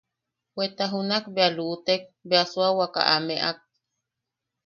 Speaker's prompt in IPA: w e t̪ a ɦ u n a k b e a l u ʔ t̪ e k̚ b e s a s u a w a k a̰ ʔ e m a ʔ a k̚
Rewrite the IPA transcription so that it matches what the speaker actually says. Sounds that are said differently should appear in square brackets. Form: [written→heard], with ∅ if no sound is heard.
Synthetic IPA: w e t̪ a ɦ u n a k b e a l u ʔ t̪ e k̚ b e [s→∅] a s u a w a k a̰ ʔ [e→a] m [a→e] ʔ a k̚

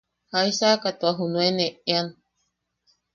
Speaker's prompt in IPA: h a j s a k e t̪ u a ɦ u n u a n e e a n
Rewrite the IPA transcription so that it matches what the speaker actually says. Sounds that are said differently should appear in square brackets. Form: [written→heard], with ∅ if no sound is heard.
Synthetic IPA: h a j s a k [e→a] t̪ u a ɦ u n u [a→e] n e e a n

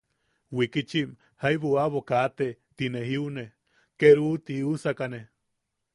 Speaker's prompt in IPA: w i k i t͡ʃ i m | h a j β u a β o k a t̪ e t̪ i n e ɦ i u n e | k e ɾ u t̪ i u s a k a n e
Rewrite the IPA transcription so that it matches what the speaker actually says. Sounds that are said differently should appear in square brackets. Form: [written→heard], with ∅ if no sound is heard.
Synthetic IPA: w i k i t͡ʃ i m | h a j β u a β o k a t̪ e t̪ i n e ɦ i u n e | k e ɾ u t̪ i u s a k a n e

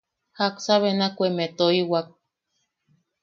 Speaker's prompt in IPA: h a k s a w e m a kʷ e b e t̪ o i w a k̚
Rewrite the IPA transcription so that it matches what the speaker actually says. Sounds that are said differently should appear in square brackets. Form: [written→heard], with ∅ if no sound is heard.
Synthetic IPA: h a k s a [w→β] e [m→n] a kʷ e [b→m] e t̪ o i w a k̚

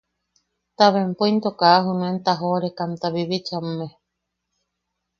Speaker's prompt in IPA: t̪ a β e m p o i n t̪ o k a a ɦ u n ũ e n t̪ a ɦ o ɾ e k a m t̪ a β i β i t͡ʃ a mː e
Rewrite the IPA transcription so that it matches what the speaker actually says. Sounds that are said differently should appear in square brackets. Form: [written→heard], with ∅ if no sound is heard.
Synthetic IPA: t̪ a β e m p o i n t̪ o k a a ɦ u n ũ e n t̪ a ɦ o ɾ e k a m t̪ a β i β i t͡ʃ a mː e

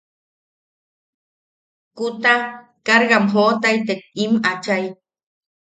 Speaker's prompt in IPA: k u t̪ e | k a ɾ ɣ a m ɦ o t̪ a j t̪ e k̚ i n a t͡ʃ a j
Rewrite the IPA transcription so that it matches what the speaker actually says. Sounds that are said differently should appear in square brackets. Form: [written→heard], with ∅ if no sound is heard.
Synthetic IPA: k u t̪ [e→a] | k a ɾ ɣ a m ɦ o t̪ a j t̪ e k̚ i [n→m] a t͡ʃ a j

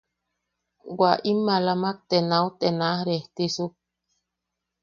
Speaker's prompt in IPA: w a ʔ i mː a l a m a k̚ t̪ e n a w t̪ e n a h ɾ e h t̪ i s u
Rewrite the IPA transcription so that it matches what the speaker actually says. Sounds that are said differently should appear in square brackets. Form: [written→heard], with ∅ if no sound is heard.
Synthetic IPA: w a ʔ i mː a l a m a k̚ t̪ e n a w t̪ e n a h ɾ e h t̪ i s u

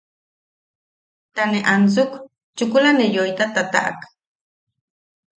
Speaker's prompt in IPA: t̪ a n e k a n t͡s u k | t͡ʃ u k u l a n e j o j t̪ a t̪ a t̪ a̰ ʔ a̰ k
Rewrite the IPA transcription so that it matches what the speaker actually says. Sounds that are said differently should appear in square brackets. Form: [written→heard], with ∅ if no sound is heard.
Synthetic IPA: t̪ a n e [k→ʔ] a n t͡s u k | t͡ʃ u k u l a n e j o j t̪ a t̪ a t̪ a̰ ʔ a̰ k

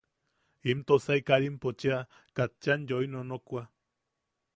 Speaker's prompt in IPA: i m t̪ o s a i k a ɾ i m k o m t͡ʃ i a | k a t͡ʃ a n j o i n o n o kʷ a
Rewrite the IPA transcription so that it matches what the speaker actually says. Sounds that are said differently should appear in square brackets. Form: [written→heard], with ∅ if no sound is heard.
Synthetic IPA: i m t̪ o s a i k a ɾ i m [k→p] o [m→∅] t͡ʃ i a | k a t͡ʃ a n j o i n o n o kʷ a

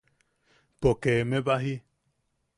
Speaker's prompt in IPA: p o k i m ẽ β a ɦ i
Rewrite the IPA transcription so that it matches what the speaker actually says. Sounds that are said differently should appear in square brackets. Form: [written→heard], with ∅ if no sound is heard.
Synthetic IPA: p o k [i→e] m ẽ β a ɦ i

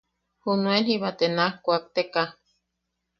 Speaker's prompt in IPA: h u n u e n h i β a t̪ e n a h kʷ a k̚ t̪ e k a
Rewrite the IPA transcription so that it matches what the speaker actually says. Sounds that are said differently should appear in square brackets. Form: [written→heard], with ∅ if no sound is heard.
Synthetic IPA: h u n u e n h i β a t̪ e n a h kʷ a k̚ t̪ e k a

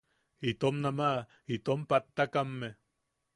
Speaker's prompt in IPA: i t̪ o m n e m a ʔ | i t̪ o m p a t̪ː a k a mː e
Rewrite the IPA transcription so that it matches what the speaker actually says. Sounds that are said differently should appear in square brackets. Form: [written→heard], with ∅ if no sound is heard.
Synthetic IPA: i t̪ o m n [e→a] m a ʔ | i t̪ o m p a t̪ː a k a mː e

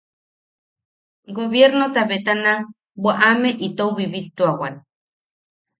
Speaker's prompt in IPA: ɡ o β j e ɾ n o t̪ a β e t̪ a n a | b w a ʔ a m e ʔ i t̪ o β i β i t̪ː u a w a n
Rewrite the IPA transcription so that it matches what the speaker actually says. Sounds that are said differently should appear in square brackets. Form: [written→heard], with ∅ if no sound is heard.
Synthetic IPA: ɡ o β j e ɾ n o t̪ a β e t̪ a n a | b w a ʔ a m e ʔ i t̪ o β i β i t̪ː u a w a n

